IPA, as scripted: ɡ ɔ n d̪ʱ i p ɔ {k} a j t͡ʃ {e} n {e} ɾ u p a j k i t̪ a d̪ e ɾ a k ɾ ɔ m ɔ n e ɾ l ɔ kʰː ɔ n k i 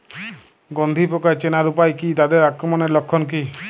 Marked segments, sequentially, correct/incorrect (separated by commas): correct, correct, incorrect